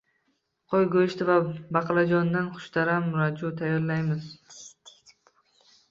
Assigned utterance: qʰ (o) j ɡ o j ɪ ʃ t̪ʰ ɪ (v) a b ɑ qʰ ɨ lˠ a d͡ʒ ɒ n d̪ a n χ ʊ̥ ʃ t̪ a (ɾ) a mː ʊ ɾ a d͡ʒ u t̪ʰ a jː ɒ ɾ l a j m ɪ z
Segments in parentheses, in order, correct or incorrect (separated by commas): correct, correct, correct